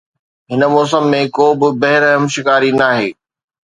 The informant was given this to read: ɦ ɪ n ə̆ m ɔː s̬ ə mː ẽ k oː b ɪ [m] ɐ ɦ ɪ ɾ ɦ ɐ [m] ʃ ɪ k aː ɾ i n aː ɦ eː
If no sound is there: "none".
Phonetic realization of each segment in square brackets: b, m

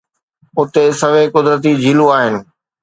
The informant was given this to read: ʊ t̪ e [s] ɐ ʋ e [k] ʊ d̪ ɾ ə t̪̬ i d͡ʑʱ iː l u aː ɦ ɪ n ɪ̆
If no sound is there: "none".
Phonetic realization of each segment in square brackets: s, k

